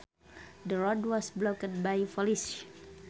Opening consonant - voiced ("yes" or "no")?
yes